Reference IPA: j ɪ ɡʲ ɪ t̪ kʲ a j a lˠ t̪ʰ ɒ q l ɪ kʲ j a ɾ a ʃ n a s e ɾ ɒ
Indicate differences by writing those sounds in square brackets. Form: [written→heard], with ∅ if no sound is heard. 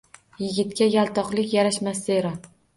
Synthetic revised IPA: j ɪ ɡʲ ɪ t̪ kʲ a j a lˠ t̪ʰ ɒ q l ɪ kʲ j a ɾ a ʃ [n→m] a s e ɾ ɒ

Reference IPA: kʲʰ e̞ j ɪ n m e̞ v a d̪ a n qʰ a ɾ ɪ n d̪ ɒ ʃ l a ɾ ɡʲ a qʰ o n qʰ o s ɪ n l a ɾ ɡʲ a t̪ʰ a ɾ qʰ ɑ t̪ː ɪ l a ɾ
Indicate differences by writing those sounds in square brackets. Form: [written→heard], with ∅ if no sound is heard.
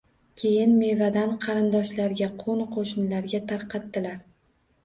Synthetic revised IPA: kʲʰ e̞ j ɪ n m e̞ v a d̪ a n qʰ [a→ɑ] ɾ ɪ n d̪ ɒ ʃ l a ɾ ɡʲ a qʰ o n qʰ o [s→ʃ] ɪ n l a ɾ ɡʲ a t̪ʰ a ɾ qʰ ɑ t̪ː ɪ l a ɾ

